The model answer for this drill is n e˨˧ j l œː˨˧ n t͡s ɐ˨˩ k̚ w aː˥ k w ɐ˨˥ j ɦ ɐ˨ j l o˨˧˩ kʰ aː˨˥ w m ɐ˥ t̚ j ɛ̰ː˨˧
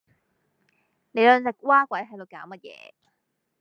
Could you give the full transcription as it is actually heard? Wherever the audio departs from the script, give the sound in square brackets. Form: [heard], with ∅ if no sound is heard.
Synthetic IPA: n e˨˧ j l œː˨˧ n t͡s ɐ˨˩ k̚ w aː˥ k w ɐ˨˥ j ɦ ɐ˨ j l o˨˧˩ [k] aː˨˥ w m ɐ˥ t̚ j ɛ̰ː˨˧